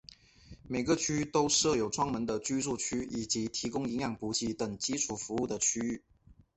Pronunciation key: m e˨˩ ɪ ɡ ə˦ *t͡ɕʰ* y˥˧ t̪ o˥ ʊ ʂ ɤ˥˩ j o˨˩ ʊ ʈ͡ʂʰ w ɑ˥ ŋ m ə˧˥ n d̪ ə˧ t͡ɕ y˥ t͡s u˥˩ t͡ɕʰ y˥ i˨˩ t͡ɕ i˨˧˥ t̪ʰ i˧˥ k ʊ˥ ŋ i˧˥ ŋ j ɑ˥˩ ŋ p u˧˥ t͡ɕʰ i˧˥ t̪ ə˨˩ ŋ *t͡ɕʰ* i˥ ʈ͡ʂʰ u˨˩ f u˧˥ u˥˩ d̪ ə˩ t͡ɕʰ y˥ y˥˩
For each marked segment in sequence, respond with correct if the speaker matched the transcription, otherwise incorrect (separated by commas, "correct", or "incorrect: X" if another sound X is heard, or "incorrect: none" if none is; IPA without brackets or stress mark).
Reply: correct, incorrect: t͡ɕ